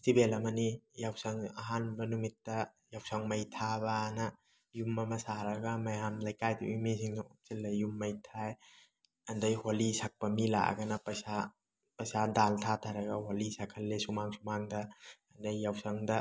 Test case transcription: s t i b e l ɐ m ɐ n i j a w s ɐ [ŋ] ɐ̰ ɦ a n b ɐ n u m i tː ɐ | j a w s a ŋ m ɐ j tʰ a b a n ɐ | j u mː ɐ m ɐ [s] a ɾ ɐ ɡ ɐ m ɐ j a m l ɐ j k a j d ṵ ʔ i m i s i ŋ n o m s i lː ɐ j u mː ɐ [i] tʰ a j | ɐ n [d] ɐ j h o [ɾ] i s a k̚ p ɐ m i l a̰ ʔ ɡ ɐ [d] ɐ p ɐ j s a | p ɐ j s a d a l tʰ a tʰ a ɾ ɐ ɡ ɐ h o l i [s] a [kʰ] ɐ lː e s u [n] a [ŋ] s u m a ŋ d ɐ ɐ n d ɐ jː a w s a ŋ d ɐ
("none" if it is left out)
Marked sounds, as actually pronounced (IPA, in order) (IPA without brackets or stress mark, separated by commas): ŋ, s, j, d, l, n, s, kʰ, m, ŋ